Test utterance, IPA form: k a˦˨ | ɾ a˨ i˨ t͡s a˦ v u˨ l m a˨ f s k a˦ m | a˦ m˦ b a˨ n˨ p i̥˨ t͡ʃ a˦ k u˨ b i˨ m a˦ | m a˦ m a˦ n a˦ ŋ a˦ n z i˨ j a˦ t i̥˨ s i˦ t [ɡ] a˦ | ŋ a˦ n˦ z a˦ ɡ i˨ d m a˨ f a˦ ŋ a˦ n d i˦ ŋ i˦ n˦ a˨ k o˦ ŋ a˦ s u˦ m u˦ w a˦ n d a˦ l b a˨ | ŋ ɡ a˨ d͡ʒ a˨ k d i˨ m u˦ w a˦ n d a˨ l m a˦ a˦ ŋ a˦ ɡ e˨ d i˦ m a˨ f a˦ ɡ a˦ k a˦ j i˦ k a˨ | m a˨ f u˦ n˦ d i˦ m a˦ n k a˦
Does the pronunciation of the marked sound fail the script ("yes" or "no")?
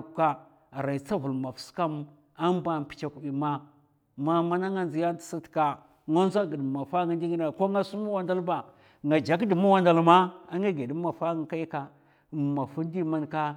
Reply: yes